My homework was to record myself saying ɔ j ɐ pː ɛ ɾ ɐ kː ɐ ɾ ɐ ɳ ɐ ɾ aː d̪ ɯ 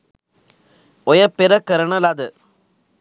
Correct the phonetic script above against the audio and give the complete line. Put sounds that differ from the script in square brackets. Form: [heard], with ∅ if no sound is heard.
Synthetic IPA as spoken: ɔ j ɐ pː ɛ ɾ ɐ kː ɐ ɾ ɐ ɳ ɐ [l] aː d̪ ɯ